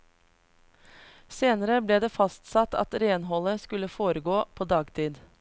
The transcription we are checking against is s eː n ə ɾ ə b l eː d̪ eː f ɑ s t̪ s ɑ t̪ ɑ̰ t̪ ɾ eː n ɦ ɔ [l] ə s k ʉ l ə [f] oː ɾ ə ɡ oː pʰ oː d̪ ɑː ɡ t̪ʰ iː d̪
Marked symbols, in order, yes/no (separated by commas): yes, yes